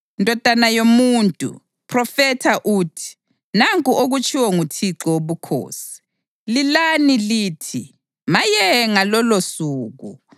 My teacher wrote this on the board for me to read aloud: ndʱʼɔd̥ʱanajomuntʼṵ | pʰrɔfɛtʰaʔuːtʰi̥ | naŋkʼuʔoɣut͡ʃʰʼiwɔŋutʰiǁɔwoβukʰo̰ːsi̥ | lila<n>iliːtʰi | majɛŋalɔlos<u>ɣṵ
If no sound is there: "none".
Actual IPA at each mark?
n, uː

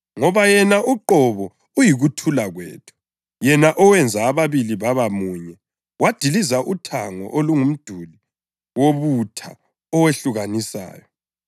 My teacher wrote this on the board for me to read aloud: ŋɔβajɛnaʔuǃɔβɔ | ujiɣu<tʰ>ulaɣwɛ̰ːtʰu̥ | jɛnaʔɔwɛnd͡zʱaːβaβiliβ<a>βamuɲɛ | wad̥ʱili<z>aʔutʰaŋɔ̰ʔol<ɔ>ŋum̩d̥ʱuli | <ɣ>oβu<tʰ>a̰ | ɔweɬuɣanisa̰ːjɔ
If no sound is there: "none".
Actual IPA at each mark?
tʰ, a, z, u, w, tʰ

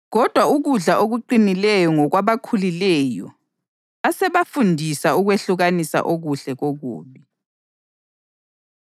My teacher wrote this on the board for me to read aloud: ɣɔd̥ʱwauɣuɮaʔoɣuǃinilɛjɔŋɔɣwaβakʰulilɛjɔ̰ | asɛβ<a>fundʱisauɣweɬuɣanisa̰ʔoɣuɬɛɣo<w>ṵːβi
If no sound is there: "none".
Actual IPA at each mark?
a, ɣ

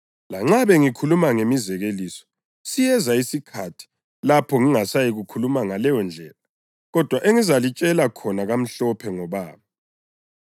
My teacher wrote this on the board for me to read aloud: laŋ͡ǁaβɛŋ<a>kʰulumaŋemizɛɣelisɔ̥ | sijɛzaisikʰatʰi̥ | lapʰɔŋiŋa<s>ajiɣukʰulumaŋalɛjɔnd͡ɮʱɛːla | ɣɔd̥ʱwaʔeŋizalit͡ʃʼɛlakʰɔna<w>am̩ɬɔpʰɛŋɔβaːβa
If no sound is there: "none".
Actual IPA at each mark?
i, s, ɣ

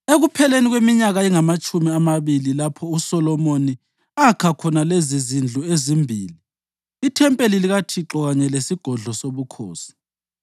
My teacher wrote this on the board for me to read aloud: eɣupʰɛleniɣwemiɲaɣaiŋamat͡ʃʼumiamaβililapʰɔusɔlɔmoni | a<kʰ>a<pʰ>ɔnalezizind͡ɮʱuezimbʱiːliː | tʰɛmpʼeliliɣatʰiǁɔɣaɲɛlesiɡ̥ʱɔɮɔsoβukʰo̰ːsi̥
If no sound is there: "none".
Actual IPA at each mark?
kʰ, kʰ

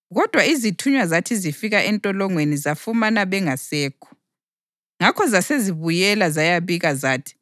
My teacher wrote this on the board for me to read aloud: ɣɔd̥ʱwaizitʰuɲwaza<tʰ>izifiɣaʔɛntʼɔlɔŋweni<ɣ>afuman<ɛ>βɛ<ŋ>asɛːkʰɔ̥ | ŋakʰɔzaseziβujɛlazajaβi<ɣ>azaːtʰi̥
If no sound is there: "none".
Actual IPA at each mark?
tʰ, z, a, ŋ, ɣ

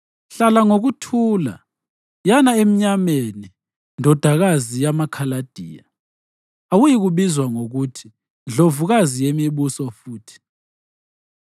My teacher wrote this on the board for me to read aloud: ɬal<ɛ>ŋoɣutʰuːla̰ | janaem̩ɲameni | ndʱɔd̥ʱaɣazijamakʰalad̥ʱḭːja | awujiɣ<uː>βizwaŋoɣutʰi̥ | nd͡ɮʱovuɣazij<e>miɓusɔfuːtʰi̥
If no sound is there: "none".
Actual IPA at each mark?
a, u, e

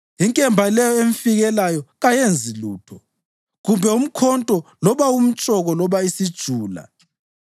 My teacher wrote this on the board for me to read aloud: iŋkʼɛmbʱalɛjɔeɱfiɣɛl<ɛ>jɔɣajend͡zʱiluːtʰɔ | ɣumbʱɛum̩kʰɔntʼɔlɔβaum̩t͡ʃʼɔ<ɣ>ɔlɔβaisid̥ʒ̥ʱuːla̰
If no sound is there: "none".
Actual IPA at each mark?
a, ɣ

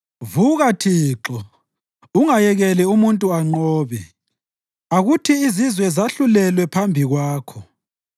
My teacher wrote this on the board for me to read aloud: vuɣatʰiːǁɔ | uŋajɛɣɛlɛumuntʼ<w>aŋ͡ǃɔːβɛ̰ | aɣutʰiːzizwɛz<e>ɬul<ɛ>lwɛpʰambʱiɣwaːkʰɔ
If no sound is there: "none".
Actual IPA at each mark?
u, a, ɛ

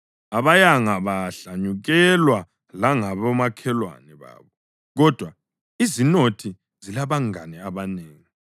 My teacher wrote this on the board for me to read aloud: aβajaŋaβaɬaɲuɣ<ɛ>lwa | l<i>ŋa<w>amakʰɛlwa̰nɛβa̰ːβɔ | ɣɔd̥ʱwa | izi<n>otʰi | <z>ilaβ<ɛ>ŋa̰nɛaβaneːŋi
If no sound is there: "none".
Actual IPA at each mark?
ɛ, a, β, n, z, a

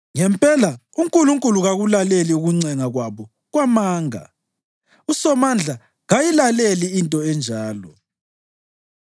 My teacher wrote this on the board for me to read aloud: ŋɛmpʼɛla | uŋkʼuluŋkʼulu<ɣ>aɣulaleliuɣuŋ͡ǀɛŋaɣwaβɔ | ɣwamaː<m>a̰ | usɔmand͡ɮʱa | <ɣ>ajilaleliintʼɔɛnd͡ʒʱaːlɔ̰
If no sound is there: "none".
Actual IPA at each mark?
ɣ, ŋ, ɣ

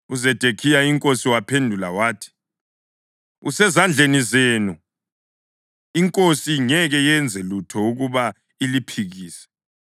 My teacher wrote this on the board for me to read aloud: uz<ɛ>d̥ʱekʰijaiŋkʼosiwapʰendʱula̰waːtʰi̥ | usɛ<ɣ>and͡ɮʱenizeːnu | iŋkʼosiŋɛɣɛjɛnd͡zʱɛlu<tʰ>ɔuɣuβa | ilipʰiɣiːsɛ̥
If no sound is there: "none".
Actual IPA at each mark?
ɛ, z, tʰ

